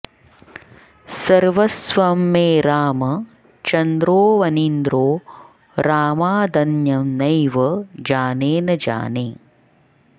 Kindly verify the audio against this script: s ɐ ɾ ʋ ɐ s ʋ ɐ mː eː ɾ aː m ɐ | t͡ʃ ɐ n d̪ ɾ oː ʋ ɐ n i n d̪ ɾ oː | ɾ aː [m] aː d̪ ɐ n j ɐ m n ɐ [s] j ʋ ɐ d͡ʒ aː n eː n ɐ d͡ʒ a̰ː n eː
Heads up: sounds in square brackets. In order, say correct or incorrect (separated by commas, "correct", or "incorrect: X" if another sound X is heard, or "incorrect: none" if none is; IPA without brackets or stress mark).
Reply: correct, incorrect: none